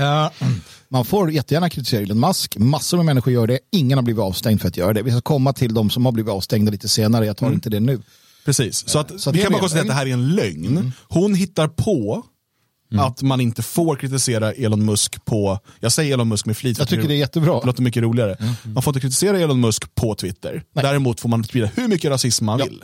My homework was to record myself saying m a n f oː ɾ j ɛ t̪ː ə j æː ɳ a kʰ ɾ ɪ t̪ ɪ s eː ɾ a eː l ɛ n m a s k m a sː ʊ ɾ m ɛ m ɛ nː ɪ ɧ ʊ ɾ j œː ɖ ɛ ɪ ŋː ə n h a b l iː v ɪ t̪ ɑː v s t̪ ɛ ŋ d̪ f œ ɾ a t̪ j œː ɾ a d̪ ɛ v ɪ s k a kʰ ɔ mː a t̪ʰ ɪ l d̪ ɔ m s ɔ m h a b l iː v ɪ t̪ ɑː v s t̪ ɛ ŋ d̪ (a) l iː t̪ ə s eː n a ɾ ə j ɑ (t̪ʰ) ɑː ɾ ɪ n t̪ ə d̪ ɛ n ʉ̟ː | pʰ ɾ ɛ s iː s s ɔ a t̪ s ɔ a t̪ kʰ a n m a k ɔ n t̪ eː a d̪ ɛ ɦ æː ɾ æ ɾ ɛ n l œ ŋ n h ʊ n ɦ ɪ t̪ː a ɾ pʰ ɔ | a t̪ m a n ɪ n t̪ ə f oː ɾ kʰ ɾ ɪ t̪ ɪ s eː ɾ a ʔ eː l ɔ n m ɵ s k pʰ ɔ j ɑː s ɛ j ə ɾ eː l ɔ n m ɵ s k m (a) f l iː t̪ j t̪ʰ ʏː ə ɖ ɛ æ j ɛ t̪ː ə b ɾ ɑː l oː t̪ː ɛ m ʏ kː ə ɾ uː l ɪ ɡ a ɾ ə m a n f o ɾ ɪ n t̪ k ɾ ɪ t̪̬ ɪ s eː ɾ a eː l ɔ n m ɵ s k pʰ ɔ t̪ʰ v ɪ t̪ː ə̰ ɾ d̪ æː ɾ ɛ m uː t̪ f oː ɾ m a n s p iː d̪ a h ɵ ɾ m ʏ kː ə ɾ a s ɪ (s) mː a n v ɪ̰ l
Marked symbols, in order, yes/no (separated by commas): yes, yes, no, yes